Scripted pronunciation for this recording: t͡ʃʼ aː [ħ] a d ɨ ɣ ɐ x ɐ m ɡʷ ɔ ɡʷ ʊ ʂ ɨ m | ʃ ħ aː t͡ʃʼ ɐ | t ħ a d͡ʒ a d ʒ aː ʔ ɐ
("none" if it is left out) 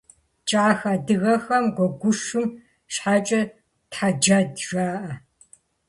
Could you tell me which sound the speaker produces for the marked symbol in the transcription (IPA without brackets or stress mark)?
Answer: x